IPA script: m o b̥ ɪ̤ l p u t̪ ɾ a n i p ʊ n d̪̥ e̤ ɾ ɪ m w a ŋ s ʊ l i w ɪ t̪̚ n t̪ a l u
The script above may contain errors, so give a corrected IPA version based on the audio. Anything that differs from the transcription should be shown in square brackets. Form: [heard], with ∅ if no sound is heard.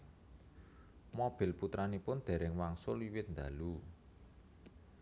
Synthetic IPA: m o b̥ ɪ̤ l p u t̪ ɾ a n i p ʊ n d̪̥ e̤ ɾ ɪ [ŋ] w a ŋ s ʊ l i w ɪ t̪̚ n [d̪] a l u